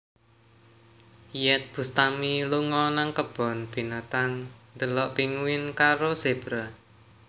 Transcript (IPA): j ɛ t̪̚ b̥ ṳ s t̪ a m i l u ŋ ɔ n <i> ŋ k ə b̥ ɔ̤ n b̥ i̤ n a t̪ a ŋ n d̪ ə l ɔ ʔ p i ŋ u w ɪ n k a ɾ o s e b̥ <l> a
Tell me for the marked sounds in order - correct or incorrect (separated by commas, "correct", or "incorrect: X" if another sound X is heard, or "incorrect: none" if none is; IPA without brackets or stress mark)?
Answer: incorrect: a, incorrect: ɾ